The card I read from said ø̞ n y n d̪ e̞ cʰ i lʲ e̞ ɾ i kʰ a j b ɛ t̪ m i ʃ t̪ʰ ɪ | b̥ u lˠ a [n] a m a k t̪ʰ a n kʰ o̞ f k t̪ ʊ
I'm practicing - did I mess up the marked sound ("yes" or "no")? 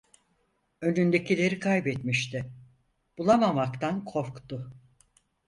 yes